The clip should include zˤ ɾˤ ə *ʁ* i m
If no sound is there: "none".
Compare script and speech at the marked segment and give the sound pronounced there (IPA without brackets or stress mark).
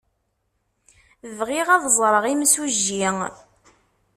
ʁ